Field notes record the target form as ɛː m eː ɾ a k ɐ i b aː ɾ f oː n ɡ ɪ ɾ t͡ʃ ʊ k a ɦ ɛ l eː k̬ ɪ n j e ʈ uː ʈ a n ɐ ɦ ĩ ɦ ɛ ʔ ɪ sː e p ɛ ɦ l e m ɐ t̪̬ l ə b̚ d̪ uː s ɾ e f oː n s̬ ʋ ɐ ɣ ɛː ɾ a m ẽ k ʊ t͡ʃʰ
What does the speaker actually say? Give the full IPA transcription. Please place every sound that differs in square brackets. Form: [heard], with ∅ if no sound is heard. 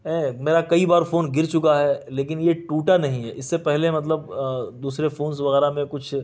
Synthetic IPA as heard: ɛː m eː ɾ a k ɐ i b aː ɾ f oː n ɡ ɪ ɾ t͡ʃ ʊ k a ɦ ɛ l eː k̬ ɪ n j e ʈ uː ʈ a n ɐ ɦ ĩ ɦ ɛ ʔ ɪ sː e p ɛ ɦ l e m ɐ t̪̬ l ə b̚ d̪ uː s ɾ e f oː n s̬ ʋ ɐ ɣ ɛː ɾ a m ẽ k ʊ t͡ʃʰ